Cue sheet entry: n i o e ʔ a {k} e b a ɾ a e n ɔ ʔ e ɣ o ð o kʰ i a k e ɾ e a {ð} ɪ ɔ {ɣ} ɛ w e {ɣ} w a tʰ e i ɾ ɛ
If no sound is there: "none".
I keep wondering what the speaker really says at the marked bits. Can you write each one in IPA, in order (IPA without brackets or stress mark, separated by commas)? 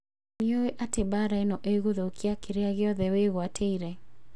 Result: t, ɣ, ð, ɣ